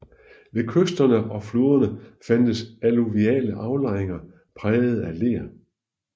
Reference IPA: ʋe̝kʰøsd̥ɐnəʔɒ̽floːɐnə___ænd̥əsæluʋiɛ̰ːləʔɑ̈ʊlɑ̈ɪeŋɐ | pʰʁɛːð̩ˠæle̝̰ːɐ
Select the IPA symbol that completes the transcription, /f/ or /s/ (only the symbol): f